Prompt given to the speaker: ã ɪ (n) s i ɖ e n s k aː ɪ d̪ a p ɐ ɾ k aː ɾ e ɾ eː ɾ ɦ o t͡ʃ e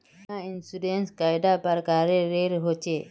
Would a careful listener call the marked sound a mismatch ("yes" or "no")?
no